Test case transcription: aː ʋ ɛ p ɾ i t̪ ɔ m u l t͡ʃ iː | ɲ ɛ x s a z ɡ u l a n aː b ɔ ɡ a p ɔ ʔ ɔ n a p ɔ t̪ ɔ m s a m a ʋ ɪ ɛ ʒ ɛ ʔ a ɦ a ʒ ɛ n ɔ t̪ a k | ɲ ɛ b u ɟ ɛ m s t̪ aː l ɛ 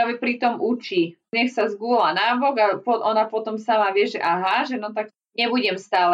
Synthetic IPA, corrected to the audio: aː ʋ ɛ p ɾ i t̪ ɔ m u t͡ʃ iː | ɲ ɛ x s a z ɡ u l a n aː b ɔ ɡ a p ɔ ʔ ɔ n a p ɔ t̪ ɔ m s a m a ʋ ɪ ɛ ʒ ɛ ʔ a ɦ a ʒ ɛ n ɔ t̪ a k | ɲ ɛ b u ɟ ɛ m s t̪ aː l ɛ